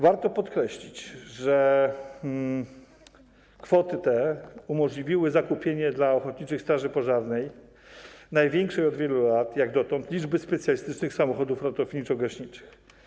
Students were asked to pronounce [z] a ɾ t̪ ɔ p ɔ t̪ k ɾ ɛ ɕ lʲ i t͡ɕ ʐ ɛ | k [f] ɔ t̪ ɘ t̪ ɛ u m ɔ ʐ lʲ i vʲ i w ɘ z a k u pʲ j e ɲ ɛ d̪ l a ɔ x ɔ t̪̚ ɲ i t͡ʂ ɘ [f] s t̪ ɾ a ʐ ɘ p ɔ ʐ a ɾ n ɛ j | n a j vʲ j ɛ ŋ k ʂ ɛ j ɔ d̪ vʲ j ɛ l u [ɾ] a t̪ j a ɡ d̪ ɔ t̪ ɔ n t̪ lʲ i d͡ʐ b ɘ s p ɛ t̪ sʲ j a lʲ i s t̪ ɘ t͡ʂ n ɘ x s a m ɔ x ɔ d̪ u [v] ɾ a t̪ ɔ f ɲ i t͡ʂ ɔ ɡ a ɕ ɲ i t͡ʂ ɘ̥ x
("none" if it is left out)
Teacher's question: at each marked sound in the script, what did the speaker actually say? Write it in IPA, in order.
v, f, x, l, f

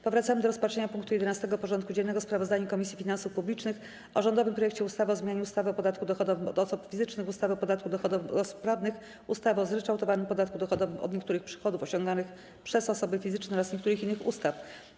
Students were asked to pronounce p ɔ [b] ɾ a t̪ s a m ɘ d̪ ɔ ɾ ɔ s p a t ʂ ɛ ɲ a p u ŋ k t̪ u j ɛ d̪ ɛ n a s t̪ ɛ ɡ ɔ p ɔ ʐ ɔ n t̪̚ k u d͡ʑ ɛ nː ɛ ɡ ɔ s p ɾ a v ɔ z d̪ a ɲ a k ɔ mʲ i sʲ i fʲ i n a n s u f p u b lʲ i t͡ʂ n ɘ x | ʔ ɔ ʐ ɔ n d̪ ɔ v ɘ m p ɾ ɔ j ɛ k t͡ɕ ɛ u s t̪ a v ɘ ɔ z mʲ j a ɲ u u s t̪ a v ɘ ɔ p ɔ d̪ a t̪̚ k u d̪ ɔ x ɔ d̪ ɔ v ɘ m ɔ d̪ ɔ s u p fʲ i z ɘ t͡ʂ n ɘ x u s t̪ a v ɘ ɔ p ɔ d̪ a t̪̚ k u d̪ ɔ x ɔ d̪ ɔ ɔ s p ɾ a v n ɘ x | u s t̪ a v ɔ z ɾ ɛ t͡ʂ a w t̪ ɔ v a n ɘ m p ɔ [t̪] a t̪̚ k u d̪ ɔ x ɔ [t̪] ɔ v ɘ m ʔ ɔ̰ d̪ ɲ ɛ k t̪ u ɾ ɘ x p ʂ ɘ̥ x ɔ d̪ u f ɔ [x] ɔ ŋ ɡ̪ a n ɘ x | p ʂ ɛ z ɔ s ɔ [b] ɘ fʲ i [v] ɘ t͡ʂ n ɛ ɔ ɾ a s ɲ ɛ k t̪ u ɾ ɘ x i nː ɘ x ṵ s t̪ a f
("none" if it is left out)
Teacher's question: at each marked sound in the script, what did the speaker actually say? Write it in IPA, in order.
v, d̪, d̪, ɕ, b, z

